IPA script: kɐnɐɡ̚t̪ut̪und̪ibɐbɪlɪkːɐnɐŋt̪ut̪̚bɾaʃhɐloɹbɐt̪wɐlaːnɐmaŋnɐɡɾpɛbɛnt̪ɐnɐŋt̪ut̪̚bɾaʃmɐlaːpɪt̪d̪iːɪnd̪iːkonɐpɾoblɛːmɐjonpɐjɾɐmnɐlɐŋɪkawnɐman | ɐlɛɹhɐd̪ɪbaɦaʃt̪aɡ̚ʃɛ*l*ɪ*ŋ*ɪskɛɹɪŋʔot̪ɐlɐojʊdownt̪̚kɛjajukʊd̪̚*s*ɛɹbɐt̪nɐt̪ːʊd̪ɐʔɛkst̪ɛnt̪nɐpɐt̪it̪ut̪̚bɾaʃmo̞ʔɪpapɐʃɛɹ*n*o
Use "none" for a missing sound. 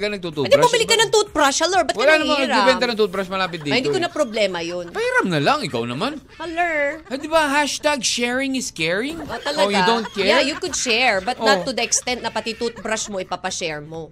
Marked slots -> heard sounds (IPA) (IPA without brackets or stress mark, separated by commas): ɹ, ŋ, ʃ, m